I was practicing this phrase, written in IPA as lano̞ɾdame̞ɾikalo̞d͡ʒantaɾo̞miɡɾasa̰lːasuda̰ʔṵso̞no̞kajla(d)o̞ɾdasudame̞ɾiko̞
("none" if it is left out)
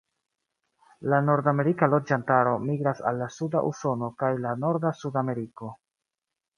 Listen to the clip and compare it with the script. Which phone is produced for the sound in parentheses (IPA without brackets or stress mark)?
n